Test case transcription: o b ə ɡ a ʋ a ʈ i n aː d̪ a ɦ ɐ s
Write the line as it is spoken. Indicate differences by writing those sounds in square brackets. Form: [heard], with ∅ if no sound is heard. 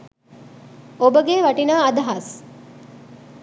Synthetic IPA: o b ə ɡ [e] ʋ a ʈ i n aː d̪ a ɦ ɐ s